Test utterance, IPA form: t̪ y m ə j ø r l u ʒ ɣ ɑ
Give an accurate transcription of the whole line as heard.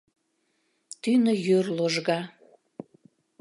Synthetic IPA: t̪ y n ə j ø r l o ʒ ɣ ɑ